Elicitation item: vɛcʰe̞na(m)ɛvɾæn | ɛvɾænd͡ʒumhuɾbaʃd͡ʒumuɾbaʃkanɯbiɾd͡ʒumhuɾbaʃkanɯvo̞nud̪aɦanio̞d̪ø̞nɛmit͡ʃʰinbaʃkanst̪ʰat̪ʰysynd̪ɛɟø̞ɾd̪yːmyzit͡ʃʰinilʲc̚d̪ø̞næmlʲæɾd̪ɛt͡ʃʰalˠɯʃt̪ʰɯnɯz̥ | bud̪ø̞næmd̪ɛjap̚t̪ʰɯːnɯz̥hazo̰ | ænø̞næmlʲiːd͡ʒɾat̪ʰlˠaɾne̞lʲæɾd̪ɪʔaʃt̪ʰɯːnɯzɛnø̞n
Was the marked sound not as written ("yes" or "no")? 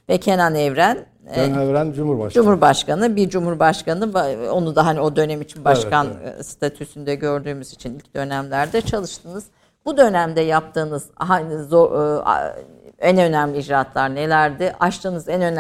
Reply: yes